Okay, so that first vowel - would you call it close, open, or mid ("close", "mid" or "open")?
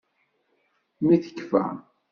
close